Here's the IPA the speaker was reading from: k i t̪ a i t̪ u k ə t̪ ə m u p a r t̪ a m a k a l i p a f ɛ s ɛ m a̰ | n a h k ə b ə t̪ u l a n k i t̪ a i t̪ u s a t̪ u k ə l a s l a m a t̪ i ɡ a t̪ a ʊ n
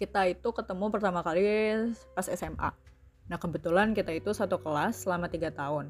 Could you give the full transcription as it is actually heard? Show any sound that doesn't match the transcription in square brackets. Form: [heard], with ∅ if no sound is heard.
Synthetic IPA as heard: k i t̪ a i t̪ u k ə t̪ ə m u p [ə] r t̪ a m a k a l i p a [s] ɛ s ɛ m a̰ | n a h k ə b ə t̪ u l a n k i t̪ a i t̪ u s a t̪ u k ə l a s l a m a t̪ i ɡ a t̪ a ʊ n